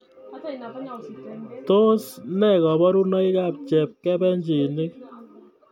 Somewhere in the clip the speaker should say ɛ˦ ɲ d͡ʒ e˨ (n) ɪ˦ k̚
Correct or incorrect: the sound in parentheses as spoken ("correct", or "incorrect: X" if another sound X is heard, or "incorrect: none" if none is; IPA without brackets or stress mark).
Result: correct